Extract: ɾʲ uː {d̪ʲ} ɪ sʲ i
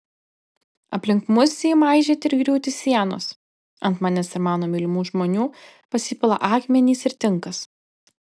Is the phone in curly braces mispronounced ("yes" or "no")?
yes